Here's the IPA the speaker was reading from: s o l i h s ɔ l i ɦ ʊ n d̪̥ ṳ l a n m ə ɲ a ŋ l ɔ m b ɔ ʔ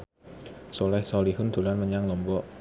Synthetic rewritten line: s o l ɛ h s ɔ l i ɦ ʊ n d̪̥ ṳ l a n m ə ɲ a ŋ l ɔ m b ɔ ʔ